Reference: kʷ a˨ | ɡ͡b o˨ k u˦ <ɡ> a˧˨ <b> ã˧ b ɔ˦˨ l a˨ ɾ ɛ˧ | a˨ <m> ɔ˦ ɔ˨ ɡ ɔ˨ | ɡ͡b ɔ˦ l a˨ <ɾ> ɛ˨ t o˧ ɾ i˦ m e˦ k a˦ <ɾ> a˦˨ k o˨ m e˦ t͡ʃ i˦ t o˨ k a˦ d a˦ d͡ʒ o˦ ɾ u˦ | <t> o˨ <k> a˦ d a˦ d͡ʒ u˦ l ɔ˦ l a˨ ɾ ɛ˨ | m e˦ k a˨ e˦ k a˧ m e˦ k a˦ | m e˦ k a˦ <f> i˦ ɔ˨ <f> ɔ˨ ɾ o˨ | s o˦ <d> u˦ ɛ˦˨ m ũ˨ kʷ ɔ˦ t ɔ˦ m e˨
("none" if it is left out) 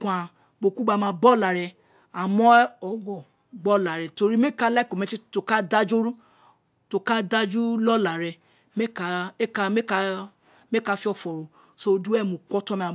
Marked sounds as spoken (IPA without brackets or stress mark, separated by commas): ɡ͡b, m, m, ɾ, l, t, k, f, f, d